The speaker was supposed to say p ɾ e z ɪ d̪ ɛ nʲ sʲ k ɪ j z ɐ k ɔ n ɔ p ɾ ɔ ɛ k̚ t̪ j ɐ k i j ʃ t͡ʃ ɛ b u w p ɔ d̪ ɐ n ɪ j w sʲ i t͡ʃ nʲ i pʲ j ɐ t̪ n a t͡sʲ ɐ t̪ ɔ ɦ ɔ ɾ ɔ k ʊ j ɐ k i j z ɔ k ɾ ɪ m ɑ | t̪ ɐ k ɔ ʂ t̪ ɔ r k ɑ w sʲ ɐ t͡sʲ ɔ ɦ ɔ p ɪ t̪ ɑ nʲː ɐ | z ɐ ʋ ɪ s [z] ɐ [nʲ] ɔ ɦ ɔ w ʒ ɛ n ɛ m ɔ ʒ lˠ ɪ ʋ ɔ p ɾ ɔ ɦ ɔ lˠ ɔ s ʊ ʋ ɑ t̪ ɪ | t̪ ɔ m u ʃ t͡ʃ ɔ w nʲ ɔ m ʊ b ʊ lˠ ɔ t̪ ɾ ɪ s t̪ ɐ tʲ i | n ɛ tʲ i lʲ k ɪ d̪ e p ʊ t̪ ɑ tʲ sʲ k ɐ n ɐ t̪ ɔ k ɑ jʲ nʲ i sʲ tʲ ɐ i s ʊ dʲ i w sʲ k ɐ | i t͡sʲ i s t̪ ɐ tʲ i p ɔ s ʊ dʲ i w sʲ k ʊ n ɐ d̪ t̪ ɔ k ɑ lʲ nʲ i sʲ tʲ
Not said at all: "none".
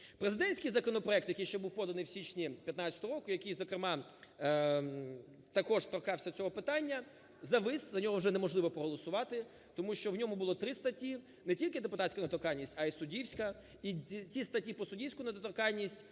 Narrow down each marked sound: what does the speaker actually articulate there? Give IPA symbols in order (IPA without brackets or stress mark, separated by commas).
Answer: z, nʲ